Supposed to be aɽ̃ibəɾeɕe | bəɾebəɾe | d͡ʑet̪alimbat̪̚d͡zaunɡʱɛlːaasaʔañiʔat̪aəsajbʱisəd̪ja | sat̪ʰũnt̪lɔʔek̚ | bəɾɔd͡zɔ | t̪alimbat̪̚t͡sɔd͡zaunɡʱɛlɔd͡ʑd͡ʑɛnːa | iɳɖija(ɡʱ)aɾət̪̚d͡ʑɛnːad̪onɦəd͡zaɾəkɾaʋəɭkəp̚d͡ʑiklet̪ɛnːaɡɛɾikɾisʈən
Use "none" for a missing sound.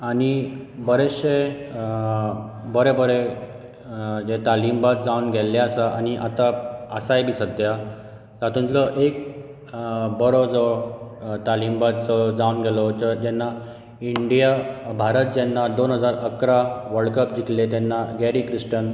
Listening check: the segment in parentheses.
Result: bʱ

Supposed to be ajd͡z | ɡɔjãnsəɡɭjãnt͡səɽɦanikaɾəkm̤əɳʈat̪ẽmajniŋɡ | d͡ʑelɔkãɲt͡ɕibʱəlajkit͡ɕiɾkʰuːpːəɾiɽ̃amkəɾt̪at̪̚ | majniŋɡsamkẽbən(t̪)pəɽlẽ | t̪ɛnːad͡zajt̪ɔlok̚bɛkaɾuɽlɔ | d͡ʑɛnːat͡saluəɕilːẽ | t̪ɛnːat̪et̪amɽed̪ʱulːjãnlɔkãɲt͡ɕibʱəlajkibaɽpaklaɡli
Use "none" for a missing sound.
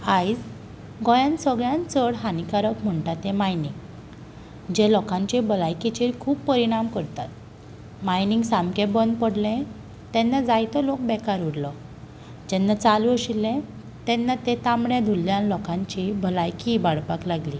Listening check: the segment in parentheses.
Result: d̪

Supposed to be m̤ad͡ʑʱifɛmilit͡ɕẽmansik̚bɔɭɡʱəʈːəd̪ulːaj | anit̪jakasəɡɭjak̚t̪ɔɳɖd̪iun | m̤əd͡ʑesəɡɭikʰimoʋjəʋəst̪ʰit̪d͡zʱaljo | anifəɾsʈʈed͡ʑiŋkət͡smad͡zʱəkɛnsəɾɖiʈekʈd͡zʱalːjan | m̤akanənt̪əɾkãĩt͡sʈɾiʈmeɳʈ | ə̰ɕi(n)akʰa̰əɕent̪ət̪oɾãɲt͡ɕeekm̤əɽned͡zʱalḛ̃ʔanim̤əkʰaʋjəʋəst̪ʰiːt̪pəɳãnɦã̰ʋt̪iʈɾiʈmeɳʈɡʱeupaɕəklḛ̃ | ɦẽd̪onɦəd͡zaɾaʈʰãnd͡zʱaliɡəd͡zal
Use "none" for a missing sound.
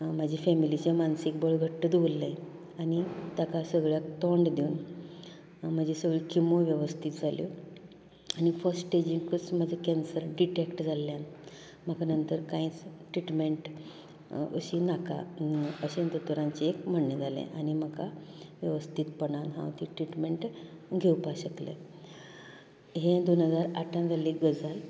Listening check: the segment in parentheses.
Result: n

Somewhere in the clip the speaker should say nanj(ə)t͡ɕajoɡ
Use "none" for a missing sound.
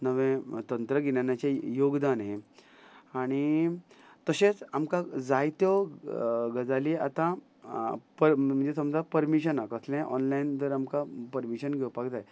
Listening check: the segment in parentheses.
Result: a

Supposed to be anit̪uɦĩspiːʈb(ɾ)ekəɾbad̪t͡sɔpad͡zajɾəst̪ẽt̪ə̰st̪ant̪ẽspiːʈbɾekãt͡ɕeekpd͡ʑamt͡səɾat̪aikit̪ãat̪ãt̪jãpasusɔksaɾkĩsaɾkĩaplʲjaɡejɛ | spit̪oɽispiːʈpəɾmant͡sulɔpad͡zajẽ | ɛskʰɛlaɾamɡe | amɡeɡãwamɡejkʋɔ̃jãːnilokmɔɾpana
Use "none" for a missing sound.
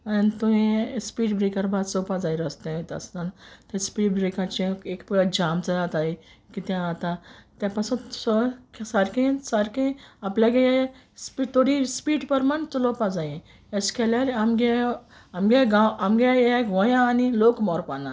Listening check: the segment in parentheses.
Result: ɾ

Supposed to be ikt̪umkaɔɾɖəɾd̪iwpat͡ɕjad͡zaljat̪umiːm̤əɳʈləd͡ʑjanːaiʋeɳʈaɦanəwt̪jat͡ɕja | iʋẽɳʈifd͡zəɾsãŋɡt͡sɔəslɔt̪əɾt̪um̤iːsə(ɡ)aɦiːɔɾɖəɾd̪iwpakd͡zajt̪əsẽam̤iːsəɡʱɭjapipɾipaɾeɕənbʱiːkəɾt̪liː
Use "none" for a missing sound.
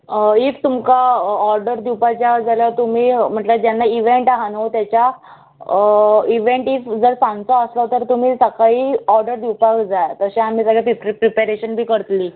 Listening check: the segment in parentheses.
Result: k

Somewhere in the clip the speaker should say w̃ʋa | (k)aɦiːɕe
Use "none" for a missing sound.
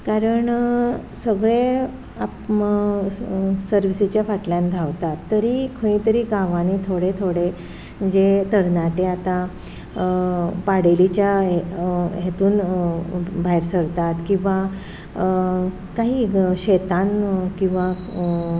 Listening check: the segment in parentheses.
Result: k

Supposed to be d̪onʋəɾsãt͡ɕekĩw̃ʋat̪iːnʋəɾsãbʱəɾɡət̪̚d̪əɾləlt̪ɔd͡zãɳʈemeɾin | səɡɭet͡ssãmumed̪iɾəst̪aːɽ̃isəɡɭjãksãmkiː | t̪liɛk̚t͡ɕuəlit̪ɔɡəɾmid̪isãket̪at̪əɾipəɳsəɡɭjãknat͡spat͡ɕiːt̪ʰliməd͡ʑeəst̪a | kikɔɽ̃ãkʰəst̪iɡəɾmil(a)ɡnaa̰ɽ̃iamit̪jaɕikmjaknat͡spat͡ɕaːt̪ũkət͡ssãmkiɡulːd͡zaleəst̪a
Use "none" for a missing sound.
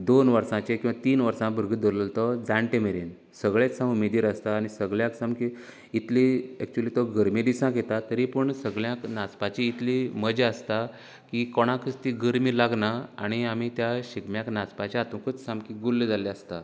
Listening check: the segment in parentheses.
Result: a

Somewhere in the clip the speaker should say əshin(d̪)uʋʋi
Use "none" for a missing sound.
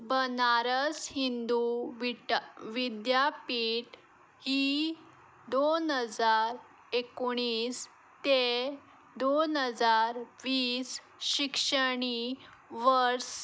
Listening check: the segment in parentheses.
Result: d̪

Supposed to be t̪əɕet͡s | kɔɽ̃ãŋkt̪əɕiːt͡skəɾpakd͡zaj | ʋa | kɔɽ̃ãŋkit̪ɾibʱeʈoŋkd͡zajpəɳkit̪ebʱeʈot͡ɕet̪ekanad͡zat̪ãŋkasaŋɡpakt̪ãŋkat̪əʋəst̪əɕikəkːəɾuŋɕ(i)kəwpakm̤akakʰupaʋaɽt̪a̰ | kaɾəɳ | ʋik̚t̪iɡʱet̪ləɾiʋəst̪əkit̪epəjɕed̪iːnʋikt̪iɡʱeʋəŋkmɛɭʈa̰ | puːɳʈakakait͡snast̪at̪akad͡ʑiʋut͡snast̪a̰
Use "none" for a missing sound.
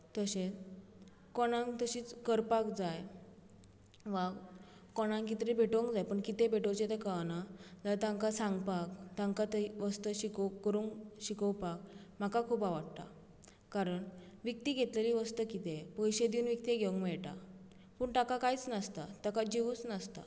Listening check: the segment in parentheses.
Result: i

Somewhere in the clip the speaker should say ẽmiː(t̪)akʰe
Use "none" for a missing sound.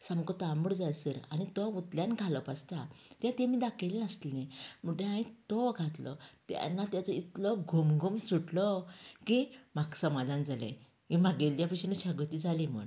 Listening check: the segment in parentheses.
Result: d̪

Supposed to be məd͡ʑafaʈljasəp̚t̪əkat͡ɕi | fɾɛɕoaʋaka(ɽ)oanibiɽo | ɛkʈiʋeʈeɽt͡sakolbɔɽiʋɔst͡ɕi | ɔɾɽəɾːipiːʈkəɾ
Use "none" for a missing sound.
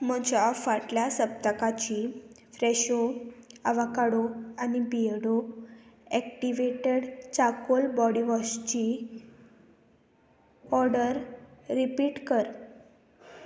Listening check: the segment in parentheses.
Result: ɽ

